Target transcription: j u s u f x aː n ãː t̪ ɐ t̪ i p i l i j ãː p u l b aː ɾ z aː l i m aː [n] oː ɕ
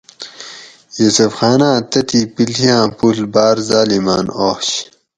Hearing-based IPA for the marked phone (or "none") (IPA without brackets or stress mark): n